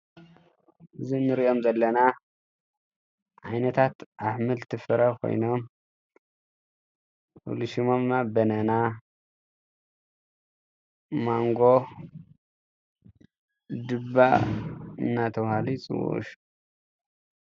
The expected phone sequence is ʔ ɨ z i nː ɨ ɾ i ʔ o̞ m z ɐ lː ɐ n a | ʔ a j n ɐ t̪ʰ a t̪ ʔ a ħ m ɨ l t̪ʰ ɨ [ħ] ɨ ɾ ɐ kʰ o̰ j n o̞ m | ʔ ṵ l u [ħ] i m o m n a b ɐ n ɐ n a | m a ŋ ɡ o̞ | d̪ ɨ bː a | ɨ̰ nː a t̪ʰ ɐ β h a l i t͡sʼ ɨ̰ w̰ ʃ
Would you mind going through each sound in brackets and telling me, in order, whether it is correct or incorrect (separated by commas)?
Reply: incorrect, incorrect